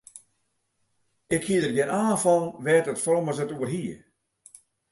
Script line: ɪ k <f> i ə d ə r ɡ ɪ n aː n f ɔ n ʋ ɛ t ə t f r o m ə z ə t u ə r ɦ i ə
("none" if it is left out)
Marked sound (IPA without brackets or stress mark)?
h